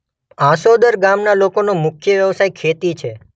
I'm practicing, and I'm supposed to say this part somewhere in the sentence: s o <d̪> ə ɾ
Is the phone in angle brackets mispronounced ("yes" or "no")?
no